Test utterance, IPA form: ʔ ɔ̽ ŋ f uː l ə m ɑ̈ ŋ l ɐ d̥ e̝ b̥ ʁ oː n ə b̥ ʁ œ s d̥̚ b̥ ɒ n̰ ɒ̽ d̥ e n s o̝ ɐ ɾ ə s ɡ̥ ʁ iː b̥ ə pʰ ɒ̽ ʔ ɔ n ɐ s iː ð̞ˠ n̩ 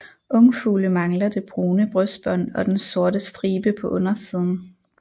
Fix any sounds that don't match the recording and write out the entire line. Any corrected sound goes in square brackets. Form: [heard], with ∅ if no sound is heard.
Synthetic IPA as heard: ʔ ɔ̽ ŋ f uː l ə m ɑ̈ ŋ l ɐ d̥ e̝ b̥ ʁ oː n ə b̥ ʁ œ s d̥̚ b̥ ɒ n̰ ɒ̽ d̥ e n s o̝ ɐ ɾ ə s [d̥] ʁ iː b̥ ə pʰ ɒ̽ ʔ ɔ n ɐ s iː ð̞ˠ n̩